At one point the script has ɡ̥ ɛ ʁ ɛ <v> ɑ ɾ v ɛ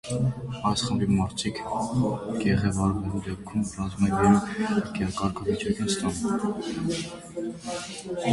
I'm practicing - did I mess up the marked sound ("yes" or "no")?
no